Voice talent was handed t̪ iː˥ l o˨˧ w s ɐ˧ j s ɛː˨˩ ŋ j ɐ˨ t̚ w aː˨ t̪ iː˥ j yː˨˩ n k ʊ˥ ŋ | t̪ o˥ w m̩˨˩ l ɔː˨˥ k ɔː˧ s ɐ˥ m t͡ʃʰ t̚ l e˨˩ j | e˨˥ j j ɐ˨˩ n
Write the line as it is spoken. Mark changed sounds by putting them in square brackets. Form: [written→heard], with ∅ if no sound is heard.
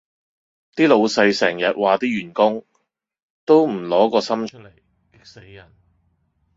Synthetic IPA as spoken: t̪ iː˥ l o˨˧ w s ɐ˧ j s ɛː˨˩ ŋ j ɐ˨ t̚ w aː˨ t̪ iː˥ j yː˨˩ n k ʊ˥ ŋ | t̪ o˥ w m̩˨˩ l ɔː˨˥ k ɔː˧ s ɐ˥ m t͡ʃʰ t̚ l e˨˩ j | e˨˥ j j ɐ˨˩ n